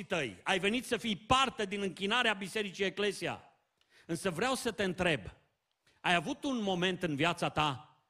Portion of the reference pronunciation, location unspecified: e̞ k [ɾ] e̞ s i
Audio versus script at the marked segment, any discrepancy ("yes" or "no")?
yes